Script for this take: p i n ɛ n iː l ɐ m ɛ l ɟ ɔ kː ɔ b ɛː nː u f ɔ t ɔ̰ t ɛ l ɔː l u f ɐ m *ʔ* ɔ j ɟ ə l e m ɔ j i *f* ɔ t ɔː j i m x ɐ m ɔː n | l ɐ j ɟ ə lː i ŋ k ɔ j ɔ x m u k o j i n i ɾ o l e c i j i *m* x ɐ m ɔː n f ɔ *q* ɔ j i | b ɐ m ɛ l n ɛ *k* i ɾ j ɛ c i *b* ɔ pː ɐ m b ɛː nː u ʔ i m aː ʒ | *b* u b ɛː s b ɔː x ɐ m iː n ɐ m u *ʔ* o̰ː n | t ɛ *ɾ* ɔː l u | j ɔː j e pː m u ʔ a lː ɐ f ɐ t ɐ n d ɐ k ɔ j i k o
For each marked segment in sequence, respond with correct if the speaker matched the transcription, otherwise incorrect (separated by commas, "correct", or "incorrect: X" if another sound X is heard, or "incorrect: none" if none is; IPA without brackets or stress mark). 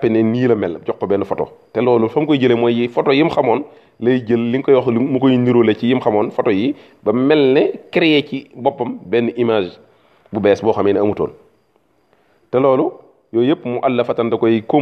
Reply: incorrect: k, correct, correct, incorrect: t, correct, correct, correct, incorrect: t, incorrect: l